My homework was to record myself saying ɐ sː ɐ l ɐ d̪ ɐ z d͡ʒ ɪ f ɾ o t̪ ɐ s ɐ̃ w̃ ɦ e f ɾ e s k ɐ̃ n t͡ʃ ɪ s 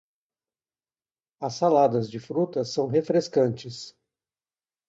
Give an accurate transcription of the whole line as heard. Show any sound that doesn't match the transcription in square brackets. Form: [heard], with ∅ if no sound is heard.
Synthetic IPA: ɐ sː [a] l [a] d̪ ɐ z d͡ʒ ɪ f ɾ [u] t̪ ɐ s ɐ̃ w̃ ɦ e f ɾ e s k ɐ̃ n t͡ʃ ɪ s